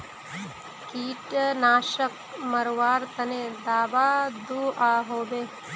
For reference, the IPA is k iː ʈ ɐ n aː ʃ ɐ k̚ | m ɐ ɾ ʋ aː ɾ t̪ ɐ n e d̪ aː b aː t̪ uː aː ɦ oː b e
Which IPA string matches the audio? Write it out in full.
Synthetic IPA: k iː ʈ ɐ n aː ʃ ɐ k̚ | m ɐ ɾ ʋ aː ɾ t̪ ɐ n e d̪ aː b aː d̪ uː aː ɦ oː b e